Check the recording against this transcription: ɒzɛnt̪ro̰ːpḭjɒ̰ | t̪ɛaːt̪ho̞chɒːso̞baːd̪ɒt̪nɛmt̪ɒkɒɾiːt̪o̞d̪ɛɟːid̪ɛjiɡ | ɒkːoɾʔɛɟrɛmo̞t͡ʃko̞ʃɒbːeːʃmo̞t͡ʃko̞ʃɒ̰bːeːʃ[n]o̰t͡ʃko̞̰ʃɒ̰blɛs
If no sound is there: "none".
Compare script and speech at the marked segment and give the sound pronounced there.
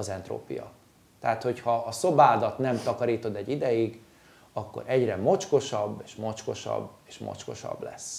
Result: m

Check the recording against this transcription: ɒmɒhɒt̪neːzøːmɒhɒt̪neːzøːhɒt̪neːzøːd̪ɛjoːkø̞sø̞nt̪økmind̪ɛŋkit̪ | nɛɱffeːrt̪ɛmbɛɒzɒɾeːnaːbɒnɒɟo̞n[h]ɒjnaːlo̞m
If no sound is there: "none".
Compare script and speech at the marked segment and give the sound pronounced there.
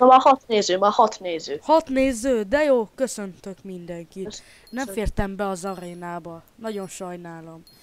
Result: ʃ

